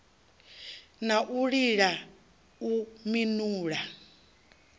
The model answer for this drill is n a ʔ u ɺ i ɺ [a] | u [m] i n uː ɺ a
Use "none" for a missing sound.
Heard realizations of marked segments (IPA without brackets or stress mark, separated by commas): a, m